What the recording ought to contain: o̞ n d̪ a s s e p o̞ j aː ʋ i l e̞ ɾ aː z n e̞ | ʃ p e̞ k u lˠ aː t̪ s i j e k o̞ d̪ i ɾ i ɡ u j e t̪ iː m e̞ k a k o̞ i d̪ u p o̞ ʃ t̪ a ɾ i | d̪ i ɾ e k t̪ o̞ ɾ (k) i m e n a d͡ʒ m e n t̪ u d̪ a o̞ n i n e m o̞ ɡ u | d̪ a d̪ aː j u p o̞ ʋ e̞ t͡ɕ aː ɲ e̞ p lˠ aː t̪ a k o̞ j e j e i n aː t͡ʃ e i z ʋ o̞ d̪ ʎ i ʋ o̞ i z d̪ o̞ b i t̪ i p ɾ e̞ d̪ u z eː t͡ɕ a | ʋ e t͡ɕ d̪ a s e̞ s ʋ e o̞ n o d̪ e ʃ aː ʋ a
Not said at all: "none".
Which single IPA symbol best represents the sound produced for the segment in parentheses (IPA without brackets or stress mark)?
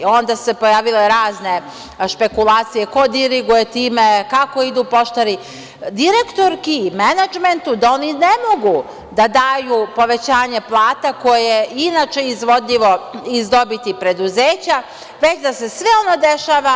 k